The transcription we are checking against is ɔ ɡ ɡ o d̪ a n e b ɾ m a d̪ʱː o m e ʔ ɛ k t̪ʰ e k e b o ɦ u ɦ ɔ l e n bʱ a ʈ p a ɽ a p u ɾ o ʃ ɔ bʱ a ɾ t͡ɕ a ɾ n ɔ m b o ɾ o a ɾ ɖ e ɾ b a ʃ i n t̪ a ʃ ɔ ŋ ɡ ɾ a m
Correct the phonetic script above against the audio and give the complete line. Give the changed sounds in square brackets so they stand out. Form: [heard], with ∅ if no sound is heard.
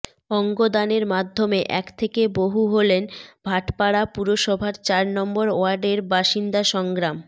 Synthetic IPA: ɔ [ŋ] ɡ o d̪ a n e [∅] ɾ m a d̪ʱː o m e ʔ ɛ k t̪ʰ e k e b o ɦ u ɦ [o] l e n bʱ a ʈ p a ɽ a p u ɾ o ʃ ɔ bʱ a ɾ t͡ɕ a ɾ n ɔ m b o ɾ o a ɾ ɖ e ɾ b a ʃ i n [d̪] a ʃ ɔ ŋ ɡ ɾ a m